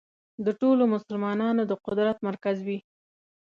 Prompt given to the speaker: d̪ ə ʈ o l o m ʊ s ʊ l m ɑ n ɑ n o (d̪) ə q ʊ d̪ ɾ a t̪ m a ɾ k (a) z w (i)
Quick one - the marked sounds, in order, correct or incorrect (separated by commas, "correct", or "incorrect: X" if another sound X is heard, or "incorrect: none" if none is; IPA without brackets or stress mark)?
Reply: correct, correct, correct